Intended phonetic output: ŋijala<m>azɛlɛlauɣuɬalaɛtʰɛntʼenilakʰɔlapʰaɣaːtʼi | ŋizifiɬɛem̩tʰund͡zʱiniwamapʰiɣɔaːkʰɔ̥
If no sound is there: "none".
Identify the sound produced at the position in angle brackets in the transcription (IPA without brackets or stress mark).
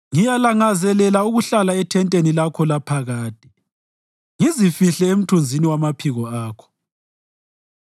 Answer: ŋ